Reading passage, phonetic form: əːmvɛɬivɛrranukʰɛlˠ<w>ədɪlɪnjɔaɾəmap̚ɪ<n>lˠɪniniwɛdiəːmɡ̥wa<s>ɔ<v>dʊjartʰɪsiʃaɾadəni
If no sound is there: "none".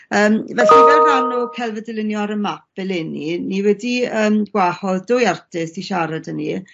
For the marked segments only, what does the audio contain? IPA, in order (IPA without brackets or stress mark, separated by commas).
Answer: v, none, h, ð